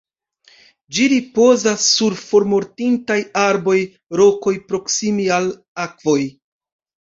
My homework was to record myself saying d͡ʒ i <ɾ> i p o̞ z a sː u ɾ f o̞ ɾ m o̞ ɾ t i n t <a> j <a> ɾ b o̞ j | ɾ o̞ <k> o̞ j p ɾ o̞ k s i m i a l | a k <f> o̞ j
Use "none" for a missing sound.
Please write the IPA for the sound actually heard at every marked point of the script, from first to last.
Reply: ɾ, a, a, k, v

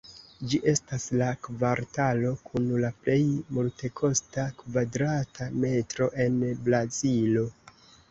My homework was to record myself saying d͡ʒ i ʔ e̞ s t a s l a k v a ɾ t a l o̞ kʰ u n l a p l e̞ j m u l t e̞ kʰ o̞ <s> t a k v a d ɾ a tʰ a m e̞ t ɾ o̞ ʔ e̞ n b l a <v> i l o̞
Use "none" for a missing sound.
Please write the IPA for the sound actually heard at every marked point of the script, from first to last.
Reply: s, z

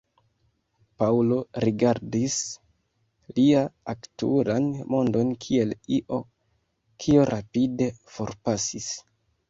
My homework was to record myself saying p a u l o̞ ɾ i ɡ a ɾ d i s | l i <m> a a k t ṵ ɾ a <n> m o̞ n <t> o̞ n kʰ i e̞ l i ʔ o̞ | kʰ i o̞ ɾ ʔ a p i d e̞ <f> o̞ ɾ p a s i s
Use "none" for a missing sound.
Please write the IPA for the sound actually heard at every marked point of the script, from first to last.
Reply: none, n, d, f

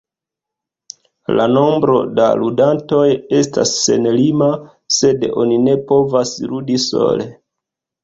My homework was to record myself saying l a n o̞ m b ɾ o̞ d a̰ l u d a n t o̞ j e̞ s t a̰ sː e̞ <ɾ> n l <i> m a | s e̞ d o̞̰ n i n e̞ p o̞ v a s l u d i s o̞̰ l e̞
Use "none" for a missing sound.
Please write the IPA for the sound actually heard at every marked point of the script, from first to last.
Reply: none, i

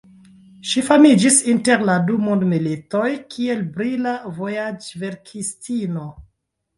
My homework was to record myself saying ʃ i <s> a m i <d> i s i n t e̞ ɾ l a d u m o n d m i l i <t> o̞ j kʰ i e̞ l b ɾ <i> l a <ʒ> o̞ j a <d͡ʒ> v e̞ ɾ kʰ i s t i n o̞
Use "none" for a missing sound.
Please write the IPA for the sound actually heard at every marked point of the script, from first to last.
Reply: f, d͡ʒ, t, i, v, d͡ʒ

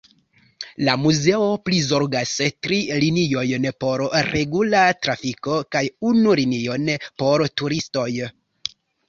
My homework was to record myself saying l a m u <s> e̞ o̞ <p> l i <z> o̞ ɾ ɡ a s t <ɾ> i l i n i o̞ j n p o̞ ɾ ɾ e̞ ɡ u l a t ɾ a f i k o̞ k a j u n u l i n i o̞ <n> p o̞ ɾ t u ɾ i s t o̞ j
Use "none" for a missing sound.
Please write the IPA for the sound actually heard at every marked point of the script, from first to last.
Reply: z, p, z, ɾ, n

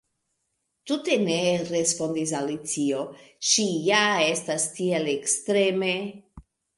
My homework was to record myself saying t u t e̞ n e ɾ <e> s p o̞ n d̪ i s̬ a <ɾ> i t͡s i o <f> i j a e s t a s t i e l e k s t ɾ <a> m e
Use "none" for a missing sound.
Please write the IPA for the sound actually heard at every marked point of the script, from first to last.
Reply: e, l, ʃ, e

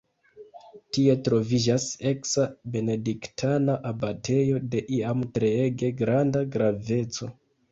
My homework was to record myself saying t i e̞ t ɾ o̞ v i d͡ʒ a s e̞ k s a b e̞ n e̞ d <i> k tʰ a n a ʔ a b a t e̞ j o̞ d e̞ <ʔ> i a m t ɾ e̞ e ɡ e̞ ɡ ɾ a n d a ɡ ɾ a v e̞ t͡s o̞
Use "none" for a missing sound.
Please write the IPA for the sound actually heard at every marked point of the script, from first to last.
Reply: i, ʔ

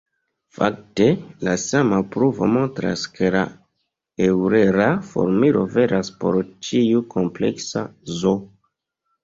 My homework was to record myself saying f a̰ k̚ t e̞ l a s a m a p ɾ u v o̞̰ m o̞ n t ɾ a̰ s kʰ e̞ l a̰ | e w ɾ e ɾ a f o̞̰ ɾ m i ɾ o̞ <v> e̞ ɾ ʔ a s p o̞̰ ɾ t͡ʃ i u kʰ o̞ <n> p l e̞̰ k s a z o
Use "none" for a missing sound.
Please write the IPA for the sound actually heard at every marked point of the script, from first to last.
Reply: v, m

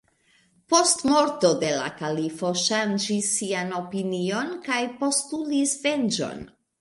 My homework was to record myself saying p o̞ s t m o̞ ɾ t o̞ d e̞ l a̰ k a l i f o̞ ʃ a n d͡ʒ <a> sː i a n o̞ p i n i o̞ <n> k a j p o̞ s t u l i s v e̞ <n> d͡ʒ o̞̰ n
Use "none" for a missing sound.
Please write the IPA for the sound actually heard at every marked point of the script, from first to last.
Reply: i, n, n

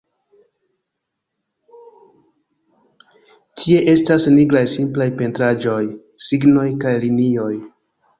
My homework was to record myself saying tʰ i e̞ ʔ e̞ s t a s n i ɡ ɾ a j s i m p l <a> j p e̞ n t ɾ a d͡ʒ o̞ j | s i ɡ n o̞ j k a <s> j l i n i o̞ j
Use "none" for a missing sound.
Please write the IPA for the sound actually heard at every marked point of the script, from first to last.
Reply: a, none

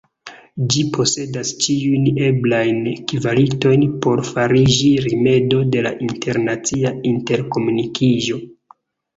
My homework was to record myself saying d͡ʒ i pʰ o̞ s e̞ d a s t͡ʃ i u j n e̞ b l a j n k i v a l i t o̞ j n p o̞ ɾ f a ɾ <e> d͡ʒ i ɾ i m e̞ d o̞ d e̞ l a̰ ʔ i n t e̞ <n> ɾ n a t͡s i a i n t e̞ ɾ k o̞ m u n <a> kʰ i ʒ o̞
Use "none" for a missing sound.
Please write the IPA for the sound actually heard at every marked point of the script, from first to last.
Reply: i, none, i

